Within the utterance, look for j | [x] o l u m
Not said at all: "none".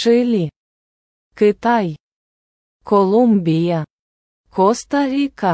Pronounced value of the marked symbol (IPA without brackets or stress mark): k